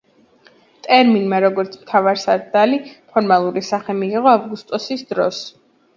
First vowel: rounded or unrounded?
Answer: unrounded